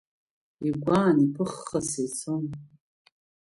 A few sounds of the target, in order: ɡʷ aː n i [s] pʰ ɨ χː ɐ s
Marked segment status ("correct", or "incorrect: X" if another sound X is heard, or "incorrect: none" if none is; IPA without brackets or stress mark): incorrect: none